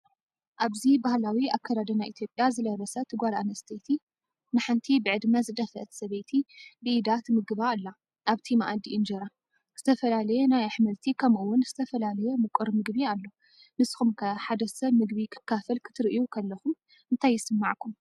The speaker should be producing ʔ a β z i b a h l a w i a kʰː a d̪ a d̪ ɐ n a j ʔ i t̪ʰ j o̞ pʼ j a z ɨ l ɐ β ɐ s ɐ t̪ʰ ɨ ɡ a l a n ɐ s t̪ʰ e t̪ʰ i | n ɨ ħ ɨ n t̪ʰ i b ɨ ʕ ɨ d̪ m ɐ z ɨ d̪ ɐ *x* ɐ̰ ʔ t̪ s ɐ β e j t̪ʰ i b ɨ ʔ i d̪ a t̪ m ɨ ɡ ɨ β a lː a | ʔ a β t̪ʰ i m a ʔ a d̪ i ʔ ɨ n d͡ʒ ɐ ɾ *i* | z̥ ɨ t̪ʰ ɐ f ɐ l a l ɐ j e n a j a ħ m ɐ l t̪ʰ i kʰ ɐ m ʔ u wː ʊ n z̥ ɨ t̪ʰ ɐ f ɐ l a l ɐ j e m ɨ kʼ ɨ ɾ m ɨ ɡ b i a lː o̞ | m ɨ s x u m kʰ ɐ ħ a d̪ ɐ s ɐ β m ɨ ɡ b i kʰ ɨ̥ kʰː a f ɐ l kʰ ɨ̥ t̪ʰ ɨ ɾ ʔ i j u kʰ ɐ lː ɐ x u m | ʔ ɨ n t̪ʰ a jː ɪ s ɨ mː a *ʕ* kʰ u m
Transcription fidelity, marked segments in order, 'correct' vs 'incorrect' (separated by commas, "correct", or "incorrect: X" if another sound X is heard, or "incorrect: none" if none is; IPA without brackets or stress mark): incorrect: f, incorrect: a, correct